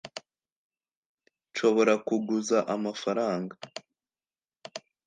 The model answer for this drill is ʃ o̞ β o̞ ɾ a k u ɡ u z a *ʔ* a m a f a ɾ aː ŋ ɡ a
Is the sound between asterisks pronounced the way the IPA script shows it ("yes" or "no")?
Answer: yes